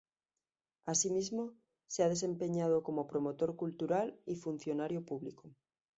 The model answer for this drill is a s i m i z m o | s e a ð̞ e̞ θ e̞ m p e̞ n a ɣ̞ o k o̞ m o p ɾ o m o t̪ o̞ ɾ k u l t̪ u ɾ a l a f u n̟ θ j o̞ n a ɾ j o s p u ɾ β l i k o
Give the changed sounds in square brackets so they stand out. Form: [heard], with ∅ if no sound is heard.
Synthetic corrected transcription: a s i m i z m o | s e a ð̞ e̞ [s] e̞ m p e̞ [ɲ] a [ð̞] o k o̞ m o p ɾ o m o t̪ o̞ ɾ k u l t̪ u ɾ a l [i] f u n̟ θ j o̞ n a ɾ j o [∅] p u [∅] β l i k o